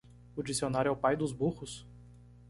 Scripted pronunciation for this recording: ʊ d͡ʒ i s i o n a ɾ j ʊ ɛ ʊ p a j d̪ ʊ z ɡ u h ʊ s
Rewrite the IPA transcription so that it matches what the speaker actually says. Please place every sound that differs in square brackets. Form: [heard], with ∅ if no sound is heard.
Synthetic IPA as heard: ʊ d͡ʒ i s i o n a ɾ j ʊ ɛ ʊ p a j d̪ ʊ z [b] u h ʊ s